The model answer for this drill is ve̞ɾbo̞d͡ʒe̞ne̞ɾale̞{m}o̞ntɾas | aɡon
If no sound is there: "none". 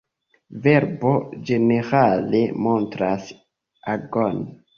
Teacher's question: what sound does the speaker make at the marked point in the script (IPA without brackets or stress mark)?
m